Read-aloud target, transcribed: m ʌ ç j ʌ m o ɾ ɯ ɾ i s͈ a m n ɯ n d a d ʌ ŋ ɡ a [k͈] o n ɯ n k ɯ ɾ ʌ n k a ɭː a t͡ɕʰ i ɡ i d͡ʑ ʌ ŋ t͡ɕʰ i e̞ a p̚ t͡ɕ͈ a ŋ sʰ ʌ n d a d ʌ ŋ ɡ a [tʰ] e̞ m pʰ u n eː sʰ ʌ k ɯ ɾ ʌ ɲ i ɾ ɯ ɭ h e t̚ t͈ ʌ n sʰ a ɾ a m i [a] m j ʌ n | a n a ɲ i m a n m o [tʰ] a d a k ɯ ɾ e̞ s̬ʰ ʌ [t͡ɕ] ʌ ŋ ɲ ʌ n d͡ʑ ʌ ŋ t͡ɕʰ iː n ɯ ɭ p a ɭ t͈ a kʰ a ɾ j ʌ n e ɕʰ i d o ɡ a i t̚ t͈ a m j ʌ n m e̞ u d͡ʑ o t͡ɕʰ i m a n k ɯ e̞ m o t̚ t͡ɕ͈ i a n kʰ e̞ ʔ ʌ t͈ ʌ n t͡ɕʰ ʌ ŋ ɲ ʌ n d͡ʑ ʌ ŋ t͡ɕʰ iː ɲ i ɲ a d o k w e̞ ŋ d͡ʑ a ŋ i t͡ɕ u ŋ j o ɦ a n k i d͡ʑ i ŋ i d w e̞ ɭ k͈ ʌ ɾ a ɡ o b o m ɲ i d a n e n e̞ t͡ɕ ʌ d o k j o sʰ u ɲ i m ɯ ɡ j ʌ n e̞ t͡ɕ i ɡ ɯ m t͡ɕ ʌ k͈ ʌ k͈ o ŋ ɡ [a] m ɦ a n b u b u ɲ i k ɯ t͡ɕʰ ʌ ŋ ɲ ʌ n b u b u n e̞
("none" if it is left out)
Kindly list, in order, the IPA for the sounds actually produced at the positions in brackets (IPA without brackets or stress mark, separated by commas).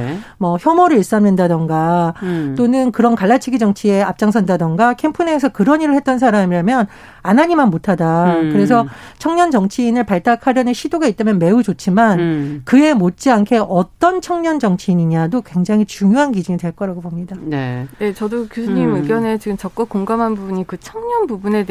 t͈, kʰ, a, tʰ, t͡ɕʰ, a